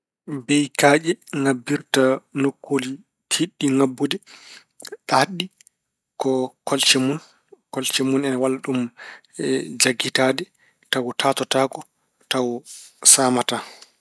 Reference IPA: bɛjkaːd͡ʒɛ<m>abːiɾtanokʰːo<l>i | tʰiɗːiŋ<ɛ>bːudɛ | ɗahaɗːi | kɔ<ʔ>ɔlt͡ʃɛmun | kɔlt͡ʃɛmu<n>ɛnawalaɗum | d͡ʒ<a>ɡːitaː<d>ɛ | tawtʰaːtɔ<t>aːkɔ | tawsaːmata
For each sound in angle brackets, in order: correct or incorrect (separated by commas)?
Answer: incorrect, correct, incorrect, incorrect, correct, correct, correct, correct